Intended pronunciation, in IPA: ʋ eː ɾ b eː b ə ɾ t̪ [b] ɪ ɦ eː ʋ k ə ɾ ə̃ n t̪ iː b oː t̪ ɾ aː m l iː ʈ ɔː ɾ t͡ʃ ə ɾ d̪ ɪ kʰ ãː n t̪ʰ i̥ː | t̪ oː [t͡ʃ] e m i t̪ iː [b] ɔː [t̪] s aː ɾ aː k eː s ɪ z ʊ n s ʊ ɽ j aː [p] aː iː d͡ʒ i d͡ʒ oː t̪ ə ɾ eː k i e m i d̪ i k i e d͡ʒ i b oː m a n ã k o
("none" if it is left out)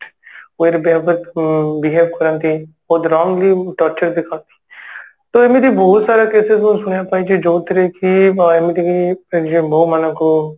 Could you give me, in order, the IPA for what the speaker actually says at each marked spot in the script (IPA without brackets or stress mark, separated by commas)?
b, none, b, t̪, p